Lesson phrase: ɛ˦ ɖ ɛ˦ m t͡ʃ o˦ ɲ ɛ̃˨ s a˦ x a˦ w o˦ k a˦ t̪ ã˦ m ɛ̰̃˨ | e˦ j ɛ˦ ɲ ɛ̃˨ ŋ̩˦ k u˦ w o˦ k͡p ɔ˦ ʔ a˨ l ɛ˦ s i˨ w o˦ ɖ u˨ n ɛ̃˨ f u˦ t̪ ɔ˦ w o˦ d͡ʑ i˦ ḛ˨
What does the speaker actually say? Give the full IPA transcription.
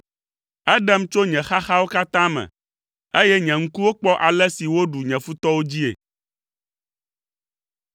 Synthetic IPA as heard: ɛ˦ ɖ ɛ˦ m t͡ʃ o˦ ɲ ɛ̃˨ x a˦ x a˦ w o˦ k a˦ t̪ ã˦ m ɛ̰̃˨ | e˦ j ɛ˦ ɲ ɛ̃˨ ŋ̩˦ k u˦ w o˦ k͡p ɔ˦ ʔ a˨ l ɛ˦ s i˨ w o˦ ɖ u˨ ɲ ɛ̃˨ f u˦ t̪ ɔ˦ w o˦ d͡ʑ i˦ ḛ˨